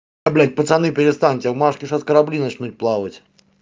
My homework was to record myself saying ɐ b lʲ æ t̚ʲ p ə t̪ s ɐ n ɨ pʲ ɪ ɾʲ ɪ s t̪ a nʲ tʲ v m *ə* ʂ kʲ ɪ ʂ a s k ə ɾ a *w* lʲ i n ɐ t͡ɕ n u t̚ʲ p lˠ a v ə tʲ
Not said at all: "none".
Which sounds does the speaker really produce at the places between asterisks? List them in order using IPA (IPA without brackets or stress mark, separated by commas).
a, b